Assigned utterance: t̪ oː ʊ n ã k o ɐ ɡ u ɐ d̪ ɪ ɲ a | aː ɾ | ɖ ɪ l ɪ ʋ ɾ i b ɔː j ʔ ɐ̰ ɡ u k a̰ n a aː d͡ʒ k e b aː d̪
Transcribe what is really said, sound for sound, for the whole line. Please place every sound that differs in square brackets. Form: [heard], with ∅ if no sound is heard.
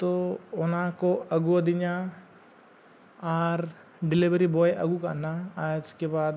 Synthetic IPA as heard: t̪ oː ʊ n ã k o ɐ ɡ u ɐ d̪ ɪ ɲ a | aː ɾ | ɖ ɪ l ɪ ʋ ɾ i b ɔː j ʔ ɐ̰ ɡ u k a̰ n a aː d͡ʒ k e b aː d̪